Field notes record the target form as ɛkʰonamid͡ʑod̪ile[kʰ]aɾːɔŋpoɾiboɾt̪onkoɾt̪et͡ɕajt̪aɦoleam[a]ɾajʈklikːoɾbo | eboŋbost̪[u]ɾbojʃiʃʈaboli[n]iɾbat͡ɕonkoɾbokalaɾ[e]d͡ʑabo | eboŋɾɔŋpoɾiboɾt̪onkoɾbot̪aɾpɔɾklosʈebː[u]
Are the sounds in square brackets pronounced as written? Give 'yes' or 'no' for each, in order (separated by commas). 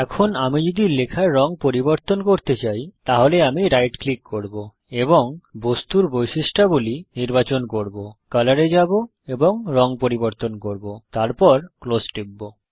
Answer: yes, no, yes, yes, yes, no